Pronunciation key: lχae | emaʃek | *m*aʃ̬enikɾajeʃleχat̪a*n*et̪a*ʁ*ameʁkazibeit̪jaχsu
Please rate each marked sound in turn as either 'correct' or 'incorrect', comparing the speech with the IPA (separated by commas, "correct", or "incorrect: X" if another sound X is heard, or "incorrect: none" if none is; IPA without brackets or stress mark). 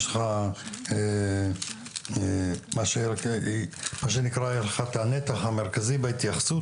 correct, correct, incorrect: χ